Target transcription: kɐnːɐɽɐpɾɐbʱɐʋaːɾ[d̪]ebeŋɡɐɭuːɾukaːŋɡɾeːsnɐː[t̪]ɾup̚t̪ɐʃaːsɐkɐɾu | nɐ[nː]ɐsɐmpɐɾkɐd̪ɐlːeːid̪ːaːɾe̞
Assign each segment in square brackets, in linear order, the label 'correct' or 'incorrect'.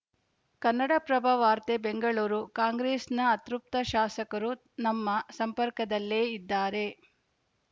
incorrect: t̪, correct, incorrect: mː

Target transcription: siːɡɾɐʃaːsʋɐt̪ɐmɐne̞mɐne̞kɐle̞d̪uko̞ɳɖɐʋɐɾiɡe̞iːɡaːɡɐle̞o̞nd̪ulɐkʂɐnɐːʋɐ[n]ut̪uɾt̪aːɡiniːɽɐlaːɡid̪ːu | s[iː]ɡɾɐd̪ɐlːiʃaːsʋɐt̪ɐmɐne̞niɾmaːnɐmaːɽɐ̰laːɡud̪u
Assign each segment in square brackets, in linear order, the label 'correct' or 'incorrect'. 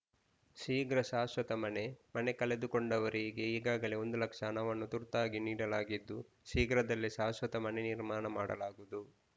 incorrect: nː, correct

